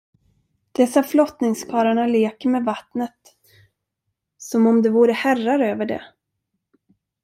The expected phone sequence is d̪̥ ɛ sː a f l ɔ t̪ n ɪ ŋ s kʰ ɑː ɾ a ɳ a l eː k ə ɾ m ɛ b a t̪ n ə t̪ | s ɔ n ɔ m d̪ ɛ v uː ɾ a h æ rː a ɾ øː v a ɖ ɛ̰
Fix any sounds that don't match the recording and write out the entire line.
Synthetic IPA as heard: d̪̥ ɛ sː a f l ɔ t̪ n ɪ ŋ s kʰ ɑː ɾ a ɳ a l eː k ə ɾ m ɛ v a t̪ n ə t̪ | s ɔ m ɔ m d̪ ɛ v uː ɾ ə h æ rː a ɾ øː v ə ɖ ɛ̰